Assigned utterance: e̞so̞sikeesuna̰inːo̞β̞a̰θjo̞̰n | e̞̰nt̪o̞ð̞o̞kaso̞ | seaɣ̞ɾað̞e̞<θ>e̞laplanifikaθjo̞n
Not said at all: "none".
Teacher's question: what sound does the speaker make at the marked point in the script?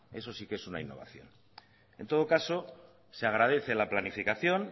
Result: θ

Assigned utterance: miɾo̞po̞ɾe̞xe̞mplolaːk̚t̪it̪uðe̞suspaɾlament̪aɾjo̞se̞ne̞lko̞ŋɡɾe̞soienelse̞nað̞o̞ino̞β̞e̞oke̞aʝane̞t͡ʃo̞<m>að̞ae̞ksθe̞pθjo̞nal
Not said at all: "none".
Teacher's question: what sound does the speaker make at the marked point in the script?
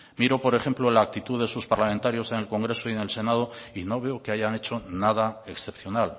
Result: n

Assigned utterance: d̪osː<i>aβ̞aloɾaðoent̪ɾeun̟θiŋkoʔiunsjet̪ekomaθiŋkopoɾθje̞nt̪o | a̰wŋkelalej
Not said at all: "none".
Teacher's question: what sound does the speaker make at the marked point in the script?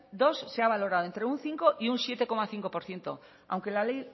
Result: e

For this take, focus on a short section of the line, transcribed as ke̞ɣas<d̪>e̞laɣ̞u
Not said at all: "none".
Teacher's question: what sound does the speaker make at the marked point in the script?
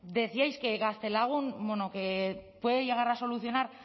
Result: t̪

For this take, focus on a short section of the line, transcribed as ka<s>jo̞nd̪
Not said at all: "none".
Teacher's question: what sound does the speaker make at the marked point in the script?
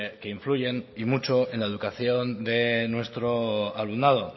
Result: θ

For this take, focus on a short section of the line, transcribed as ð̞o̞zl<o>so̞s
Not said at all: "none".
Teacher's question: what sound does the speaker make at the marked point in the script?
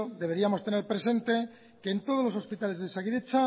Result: o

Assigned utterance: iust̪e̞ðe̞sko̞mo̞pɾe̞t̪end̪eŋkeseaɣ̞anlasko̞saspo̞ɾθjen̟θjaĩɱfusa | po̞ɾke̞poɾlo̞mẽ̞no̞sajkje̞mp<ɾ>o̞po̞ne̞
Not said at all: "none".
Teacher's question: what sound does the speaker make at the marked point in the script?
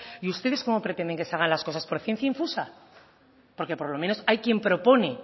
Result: ɾ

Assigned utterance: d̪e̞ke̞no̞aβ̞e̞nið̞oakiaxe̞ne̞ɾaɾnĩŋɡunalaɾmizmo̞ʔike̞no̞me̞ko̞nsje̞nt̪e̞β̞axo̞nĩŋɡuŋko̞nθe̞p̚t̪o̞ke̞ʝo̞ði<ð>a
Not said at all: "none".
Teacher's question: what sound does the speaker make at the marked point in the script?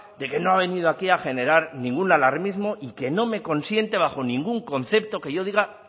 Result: ɣ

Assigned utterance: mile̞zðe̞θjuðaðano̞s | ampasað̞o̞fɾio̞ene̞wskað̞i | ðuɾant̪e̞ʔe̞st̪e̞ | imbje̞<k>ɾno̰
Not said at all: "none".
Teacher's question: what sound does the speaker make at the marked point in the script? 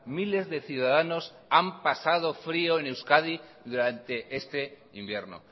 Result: none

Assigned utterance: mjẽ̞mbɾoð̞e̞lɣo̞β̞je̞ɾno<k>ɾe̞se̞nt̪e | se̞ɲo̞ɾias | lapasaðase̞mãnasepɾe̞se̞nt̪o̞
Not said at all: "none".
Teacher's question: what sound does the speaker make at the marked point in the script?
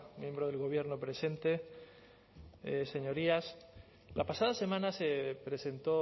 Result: p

